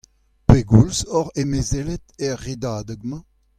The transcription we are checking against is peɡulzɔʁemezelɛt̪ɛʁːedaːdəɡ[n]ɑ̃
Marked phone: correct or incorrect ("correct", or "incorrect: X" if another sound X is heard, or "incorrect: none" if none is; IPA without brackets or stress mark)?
incorrect: m